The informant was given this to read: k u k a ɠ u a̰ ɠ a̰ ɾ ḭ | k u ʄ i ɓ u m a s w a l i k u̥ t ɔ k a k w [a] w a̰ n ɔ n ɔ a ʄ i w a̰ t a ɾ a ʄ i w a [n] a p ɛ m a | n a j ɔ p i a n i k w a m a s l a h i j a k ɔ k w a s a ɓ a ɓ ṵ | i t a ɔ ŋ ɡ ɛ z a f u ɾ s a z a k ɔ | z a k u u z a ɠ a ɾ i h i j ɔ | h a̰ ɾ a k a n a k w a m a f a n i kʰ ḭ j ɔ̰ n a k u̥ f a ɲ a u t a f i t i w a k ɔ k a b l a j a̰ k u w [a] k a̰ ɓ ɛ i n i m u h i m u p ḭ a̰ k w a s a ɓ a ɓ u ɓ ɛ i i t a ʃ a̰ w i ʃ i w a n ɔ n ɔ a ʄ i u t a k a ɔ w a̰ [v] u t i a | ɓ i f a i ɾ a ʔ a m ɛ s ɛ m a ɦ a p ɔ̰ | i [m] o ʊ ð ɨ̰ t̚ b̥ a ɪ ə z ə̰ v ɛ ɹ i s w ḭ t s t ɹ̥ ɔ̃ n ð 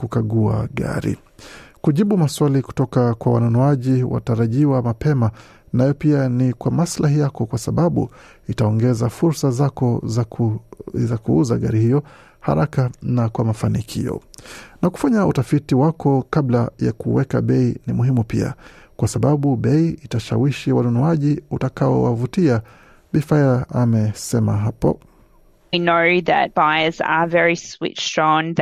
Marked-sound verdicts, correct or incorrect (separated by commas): correct, incorrect, incorrect, correct, incorrect